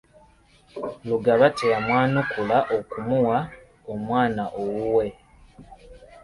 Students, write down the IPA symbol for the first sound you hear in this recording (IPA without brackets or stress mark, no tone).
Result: l